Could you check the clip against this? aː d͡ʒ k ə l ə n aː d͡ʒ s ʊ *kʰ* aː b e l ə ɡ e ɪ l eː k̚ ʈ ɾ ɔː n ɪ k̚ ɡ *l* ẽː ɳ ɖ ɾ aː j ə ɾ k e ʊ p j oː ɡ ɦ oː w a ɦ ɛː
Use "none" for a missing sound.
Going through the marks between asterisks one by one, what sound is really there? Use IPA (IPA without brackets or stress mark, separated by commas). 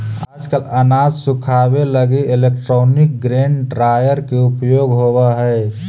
kʰ, ɾ